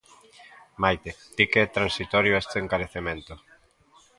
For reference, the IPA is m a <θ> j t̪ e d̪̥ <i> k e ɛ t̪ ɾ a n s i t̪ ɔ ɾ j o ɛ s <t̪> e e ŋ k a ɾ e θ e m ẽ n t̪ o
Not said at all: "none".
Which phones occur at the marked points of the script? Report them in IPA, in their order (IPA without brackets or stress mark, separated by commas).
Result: none, i, t̪